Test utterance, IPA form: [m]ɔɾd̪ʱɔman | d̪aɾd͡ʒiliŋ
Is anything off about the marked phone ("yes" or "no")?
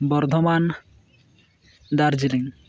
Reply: yes